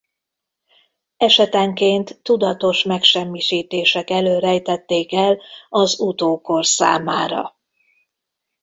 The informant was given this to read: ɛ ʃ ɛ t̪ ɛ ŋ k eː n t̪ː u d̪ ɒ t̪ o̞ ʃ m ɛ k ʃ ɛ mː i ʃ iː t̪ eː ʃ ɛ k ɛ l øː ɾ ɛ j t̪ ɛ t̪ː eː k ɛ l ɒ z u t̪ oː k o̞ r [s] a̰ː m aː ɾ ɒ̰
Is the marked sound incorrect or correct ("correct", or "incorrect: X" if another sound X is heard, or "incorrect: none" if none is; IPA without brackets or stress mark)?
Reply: correct